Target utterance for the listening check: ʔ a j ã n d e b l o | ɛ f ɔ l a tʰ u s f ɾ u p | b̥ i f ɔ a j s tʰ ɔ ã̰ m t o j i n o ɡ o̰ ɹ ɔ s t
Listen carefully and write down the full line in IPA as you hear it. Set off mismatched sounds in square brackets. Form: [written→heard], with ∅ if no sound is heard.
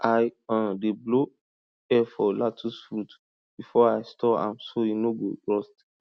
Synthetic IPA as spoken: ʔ a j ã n d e b l o | ɛ f ɔ l a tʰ u s f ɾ u [p→t] | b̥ i f ɔ a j s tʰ ɔ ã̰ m [t→s] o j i n o ɡ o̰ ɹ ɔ s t